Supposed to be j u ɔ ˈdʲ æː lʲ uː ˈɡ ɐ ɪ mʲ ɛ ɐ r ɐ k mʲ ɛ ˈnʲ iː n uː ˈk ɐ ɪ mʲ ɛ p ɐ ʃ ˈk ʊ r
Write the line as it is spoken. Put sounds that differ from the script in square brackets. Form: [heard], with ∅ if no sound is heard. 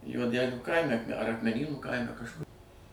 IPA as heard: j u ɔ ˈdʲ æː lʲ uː [ˈk] ɐ ɪ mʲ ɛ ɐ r ɐ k mʲ ɛ ˈnʲ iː n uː ˈk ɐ ɪ mʲ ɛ [k] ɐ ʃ ˈk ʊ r